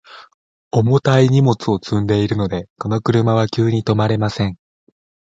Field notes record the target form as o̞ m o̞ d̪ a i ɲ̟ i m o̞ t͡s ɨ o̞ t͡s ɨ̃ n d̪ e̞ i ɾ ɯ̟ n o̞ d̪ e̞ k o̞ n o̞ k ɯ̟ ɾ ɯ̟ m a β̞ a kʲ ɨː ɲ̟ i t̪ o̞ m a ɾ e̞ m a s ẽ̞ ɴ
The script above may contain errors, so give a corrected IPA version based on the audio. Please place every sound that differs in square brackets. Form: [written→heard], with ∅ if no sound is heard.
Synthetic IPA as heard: o̞ m o̞ [d̪→t̪] a i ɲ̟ i m o̞ t͡s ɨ o̞ t͡s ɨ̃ n d̪ e̞ i ɾ ɯ̟ n o̞ d̪ e̞ k o̞ n o̞ k ɯ̟ ɾ ɯ̟ m a β̞ a kʲ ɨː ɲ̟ i t̪ o̞ m a ɾ e̞ m a s ẽ̞ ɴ